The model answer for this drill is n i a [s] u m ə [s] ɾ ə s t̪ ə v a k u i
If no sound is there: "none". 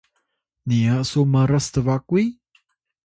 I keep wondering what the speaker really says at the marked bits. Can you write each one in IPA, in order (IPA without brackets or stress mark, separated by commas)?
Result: s, none